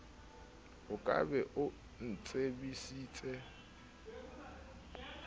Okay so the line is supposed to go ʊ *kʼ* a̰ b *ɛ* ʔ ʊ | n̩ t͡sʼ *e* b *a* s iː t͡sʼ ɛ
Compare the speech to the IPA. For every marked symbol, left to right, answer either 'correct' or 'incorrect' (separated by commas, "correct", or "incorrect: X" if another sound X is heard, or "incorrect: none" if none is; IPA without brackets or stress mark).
correct, correct, correct, incorrect: i